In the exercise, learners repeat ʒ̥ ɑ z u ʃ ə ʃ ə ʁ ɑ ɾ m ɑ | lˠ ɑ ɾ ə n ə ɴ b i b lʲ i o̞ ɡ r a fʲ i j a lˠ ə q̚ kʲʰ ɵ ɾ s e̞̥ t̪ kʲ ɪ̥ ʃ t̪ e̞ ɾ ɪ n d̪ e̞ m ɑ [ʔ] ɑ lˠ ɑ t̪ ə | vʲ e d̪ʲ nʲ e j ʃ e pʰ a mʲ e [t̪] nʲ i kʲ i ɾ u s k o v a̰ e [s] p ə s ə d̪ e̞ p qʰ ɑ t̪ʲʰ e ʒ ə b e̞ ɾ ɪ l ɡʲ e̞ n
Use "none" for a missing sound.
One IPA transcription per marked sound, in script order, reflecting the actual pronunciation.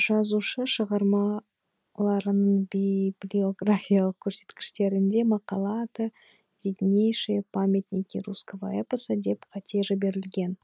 q, t̪, none

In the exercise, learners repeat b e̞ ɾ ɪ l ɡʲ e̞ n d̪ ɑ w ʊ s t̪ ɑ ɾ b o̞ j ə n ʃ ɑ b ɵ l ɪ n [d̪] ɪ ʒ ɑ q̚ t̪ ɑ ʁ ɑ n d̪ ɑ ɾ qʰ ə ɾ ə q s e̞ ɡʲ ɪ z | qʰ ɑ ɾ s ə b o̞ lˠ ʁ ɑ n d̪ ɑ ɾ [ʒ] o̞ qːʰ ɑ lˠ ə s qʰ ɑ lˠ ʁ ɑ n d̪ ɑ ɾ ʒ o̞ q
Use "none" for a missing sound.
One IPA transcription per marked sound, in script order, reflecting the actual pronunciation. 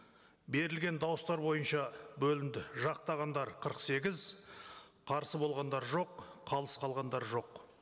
d̪, ʒ

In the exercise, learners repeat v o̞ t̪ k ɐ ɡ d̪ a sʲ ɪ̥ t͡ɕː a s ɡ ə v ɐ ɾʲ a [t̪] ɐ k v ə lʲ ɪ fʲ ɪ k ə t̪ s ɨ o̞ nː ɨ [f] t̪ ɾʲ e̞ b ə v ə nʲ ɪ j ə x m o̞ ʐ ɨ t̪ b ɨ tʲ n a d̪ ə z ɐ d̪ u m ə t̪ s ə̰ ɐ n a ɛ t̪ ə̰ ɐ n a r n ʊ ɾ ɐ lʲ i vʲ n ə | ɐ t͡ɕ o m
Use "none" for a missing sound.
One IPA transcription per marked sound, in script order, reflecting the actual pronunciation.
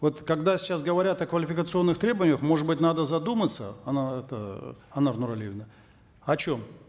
t̪, x

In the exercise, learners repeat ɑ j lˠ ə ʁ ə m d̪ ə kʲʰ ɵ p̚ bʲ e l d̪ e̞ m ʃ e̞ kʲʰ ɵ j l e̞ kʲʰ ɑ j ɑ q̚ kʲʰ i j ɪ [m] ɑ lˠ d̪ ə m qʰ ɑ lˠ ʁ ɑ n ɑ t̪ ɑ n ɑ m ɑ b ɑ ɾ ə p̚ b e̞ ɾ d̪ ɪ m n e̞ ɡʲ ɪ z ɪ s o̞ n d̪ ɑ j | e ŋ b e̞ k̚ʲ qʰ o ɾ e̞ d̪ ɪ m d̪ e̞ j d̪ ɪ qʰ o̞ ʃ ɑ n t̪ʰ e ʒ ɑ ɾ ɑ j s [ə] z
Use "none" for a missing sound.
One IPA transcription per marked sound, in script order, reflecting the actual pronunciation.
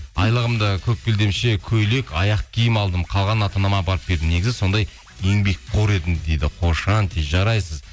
m, ə

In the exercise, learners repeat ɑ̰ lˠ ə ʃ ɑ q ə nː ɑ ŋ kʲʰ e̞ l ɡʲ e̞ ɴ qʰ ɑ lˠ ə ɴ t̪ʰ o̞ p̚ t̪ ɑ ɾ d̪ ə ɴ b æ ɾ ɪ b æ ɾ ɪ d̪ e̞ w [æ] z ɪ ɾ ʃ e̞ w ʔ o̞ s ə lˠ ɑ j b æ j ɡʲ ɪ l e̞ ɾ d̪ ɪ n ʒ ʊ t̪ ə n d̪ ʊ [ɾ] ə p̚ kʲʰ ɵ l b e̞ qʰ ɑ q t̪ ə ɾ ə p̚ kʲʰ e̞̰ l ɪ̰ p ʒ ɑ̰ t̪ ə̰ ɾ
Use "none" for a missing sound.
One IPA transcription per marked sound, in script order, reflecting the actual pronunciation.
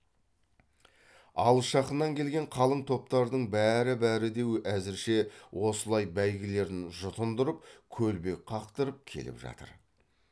æ, ɾ

